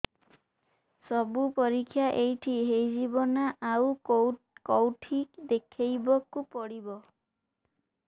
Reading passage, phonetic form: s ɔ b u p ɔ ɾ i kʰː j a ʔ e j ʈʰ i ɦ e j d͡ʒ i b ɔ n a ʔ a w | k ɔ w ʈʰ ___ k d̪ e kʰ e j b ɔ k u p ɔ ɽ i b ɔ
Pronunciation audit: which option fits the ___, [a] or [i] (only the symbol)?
i